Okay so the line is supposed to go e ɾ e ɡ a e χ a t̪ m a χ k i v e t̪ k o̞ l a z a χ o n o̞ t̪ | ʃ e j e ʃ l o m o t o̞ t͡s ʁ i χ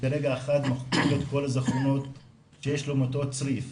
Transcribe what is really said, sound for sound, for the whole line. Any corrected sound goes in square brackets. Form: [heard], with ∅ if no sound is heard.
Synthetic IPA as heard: e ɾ e ɡ a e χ a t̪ m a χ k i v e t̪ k o̞ l a z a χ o n o̞ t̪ | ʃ e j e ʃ l o m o t o̞ t͡s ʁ i [f]